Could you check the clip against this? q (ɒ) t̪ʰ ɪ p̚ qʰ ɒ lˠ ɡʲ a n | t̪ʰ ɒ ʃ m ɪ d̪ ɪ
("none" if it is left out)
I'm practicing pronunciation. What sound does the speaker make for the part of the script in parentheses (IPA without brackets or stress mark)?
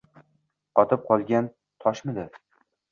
ɒ